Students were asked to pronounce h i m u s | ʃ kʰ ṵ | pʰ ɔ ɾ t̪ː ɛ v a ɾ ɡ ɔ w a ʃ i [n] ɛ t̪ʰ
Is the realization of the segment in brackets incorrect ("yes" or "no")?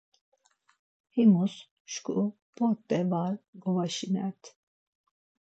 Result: no